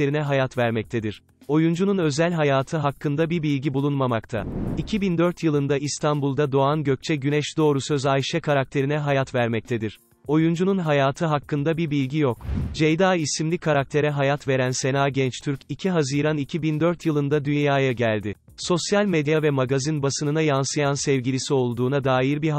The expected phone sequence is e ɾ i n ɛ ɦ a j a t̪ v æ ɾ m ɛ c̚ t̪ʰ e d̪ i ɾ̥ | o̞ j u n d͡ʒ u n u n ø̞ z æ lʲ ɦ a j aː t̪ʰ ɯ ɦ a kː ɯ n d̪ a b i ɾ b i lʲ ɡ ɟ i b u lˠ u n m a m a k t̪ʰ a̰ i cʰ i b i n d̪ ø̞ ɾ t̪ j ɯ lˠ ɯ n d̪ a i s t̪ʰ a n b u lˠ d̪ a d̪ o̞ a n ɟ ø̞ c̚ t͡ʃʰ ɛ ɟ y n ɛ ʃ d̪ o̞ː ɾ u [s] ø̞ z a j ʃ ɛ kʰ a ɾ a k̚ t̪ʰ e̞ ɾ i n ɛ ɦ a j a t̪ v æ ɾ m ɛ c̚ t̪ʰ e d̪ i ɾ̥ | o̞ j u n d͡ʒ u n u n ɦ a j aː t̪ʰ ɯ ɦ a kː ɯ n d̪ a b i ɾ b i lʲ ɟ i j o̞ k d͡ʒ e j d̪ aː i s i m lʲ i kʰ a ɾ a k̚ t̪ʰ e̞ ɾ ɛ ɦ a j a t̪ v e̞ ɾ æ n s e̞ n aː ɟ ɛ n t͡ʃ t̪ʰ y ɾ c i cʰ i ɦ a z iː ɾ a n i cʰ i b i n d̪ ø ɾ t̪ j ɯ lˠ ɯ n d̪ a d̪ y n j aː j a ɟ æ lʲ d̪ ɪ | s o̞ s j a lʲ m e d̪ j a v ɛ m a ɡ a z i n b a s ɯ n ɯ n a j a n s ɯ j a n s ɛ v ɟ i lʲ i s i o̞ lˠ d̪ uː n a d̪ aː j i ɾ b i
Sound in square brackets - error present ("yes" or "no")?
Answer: no